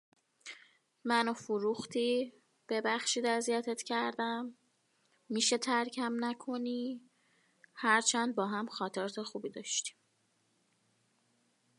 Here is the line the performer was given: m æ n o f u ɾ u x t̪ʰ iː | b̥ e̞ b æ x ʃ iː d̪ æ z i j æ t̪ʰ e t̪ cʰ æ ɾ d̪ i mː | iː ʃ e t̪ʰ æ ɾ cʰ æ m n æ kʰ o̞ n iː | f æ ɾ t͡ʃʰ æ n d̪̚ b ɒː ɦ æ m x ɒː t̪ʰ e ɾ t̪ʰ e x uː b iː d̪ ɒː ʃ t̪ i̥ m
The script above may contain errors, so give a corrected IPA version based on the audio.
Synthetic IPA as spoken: m æ n o f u ɾ u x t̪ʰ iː | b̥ e̞ b æ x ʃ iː d̪ æ z i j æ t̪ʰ e t̪ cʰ æ ɾ d̪ æ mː | iː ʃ e t̪ʰ æ ɾ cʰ æ m n æ kʰ o̞ n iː | h æ ɾ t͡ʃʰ æ n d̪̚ b ɒː ɦ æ m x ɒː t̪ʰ e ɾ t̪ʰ e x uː b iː d̪ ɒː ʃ t̪ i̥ m